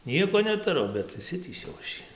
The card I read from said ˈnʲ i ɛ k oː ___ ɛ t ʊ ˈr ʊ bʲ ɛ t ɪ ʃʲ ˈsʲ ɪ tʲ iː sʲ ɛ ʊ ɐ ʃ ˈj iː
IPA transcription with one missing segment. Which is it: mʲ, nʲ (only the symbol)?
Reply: nʲ